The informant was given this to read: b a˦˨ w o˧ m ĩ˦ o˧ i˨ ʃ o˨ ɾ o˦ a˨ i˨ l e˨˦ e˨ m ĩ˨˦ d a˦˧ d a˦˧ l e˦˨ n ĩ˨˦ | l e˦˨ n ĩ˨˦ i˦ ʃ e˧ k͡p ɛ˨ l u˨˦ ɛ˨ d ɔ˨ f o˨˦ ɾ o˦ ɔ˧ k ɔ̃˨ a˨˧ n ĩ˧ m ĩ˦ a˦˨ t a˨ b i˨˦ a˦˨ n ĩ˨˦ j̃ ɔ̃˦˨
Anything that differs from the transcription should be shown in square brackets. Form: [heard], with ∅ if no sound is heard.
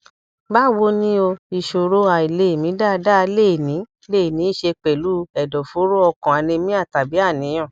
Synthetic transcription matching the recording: b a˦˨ w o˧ [n] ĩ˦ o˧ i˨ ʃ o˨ ɾ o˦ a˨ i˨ l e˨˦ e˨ m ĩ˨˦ d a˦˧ d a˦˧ l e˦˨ n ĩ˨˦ | l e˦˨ n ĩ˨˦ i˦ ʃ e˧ k͡p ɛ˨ l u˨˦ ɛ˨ d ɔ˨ f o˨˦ ɾ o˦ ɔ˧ k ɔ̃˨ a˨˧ n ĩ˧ m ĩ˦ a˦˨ t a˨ b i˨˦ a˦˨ n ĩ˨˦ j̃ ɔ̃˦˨